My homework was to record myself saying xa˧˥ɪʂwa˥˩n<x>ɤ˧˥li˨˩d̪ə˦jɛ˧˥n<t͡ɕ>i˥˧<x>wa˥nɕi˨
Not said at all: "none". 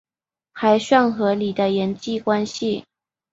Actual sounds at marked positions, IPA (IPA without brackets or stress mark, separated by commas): x, t͡ɕ, k